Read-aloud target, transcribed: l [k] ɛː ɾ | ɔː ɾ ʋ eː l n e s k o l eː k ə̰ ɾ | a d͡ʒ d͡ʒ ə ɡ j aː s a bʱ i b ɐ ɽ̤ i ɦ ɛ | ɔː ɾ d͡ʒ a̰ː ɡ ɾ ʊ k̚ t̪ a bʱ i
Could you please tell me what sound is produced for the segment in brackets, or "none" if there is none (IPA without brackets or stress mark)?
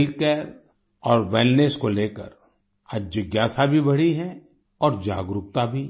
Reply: k